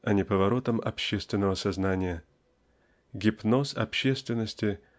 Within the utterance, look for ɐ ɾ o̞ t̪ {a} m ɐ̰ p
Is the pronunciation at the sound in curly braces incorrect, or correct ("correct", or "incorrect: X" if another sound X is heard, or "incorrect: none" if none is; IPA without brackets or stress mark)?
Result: incorrect: ə